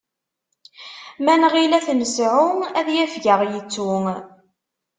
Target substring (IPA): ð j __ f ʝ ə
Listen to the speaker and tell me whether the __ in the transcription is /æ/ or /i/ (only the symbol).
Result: æ